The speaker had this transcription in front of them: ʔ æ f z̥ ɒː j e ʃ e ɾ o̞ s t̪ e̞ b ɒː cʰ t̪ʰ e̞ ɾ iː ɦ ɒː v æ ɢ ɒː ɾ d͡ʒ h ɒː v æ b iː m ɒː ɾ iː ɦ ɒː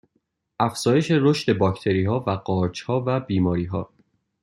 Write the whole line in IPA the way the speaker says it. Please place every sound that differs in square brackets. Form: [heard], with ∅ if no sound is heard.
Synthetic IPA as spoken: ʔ æ f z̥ ɒː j e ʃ e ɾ o̞ [ʃ] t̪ e̞ b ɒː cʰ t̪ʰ e̞ ɾ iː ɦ ɒː v æ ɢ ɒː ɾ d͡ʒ h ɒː v æ b iː m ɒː ɾ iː ɦ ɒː